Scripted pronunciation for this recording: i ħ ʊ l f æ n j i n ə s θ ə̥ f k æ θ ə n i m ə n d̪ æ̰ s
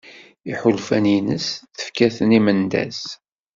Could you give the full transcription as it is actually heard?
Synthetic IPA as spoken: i ħ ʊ l f æ n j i n ə s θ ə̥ f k æ θ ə n i m ə n d̪ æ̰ s